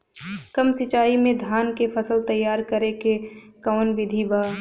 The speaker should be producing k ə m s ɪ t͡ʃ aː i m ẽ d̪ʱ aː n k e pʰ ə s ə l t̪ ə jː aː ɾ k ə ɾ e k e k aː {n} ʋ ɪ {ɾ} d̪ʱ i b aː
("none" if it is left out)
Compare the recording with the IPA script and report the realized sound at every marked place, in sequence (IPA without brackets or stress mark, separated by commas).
n, none